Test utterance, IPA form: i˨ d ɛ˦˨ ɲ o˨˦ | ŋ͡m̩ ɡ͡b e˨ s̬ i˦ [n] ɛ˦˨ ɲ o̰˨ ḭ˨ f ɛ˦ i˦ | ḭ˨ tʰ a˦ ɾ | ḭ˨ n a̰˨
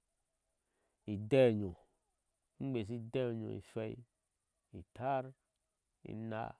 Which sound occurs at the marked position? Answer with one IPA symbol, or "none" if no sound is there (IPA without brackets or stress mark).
d